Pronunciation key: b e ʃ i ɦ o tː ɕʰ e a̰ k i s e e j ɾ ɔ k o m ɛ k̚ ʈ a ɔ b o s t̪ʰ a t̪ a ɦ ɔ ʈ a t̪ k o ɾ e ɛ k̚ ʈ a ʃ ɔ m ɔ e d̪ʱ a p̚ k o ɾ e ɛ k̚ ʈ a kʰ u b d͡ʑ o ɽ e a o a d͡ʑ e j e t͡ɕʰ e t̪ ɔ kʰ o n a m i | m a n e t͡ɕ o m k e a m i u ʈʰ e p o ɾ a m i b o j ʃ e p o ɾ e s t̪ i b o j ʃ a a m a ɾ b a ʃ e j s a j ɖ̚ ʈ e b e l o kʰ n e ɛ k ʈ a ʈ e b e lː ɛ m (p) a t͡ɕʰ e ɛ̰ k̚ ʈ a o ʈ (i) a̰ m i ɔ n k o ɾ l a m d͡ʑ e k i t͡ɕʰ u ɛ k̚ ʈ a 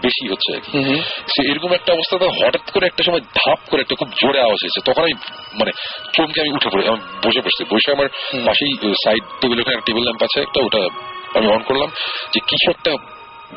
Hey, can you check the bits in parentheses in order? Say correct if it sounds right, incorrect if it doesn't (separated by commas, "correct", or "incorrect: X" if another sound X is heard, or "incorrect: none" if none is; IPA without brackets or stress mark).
correct, incorrect: a